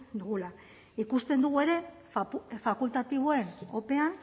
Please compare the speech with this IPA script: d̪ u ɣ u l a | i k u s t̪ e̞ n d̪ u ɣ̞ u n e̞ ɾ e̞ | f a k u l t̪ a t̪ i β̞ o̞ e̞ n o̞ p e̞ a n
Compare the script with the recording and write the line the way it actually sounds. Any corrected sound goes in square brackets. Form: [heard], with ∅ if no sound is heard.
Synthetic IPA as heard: d̪ u ɣ u l a | i k u s t̪ e̞ n d̪ u ɣ̞ u [∅] e̞ ɾ e̞ | f a k u l t̪ a t̪ i β̞ o̞ e̞ n o̞ p e̞ a n